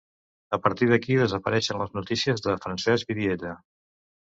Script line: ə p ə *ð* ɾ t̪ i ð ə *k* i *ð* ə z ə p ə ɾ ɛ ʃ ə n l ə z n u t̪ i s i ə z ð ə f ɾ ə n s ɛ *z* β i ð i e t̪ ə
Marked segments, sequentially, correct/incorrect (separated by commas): incorrect, correct, correct, correct